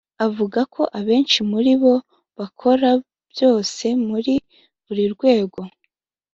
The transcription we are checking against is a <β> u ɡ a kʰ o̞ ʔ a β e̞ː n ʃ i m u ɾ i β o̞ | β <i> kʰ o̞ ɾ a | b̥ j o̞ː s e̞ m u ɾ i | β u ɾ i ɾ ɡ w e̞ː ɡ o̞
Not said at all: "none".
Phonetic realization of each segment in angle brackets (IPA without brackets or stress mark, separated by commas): v, a